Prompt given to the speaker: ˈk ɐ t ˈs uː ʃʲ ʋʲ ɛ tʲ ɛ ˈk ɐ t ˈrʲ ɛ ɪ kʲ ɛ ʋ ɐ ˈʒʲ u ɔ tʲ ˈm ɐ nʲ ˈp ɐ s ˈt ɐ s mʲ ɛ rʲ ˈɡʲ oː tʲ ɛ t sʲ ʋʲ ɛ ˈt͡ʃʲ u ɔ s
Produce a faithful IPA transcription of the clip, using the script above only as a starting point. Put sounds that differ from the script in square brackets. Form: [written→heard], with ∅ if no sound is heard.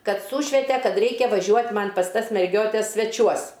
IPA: ˈk ɐ t ˈs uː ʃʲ ʋʲ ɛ tʲ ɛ ˈk ɐ t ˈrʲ ɛ ɪ kʲ ɛ ʋ ɐ ˈʒʲ u ɔ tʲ ˈm ɐ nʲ ˈp ɐ s ˈt ɐ s mʲ ɛ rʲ ˈɡʲ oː tʲ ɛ [t→s] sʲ ʋʲ ɛ ˈt͡ʃʲ u ɔ s